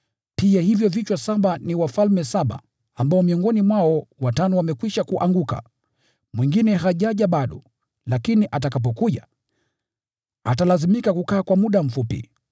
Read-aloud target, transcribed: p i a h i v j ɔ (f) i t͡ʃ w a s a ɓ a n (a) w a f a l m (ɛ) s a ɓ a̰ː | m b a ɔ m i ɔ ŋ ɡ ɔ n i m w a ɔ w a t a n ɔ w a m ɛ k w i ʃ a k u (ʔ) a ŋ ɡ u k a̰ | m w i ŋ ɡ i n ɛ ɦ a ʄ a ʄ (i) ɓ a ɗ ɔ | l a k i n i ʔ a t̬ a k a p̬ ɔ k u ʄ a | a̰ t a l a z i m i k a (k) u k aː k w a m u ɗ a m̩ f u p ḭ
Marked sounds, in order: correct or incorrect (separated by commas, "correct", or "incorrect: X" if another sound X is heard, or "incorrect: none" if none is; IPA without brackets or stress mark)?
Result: incorrect: v, incorrect: i, correct, correct, incorrect: a, correct